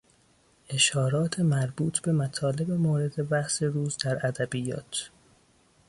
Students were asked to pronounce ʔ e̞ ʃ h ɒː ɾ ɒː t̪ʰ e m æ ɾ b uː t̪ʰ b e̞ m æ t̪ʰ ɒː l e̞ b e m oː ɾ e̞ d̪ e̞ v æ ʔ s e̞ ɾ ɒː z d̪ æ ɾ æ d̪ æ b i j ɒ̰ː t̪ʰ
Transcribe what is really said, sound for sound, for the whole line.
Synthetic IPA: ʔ e̞ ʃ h ɒː ɾ ɒː t̪ʰ e m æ ɾ b uː t̪ʰ b e̞ m æ t̪ʰ ɒː l e̞ b e m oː ɾ e̞ d̪ e̞ b æ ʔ s e̞ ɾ uː z d̪ æ ɾ æ d̪ æ b i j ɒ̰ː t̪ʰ